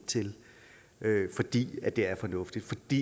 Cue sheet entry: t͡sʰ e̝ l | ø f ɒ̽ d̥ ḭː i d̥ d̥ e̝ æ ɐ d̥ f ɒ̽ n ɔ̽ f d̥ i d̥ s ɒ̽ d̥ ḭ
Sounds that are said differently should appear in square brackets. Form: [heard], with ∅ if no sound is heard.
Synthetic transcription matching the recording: t͡sʰ e̝ l | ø f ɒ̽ d̥ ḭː [æ] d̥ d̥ e̝ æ ɐ [∅] f ɒ̽ n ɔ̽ f d̥ i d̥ [f] ɒ̽ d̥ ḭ